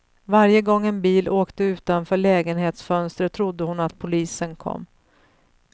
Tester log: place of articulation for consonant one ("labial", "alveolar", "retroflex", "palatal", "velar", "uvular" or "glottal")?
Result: labial